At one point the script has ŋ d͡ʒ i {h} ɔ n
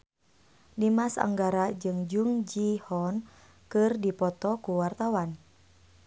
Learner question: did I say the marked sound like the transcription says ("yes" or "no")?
yes